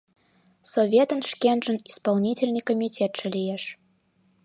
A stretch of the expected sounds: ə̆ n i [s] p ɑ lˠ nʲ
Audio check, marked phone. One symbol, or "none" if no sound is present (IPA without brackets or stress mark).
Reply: s